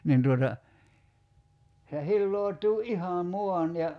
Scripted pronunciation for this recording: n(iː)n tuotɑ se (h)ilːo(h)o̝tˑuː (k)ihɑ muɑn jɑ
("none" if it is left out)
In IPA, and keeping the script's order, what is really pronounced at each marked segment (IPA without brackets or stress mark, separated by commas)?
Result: i, h, none, ʔ